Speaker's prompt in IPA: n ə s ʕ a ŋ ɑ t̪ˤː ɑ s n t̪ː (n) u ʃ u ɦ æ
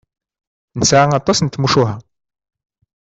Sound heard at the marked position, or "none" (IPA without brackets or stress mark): m